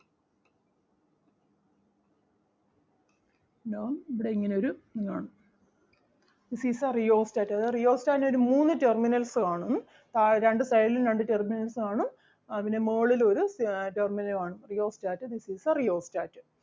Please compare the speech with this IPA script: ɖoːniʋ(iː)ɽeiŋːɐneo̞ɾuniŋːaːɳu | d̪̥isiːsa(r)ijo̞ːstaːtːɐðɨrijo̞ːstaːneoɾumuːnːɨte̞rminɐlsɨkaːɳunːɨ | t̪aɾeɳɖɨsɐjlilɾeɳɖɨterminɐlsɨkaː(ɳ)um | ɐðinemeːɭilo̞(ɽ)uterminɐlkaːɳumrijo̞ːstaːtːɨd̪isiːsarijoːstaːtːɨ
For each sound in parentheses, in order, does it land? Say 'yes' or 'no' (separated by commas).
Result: no, yes, yes, no